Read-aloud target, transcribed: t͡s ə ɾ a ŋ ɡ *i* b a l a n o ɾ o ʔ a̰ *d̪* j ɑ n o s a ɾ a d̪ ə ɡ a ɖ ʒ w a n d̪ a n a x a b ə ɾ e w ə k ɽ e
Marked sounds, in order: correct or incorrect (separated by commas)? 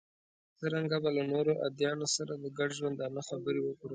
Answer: incorrect, correct